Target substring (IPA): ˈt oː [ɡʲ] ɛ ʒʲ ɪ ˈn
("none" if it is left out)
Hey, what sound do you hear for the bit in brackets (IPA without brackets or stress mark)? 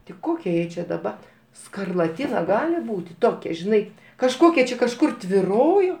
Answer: kʲ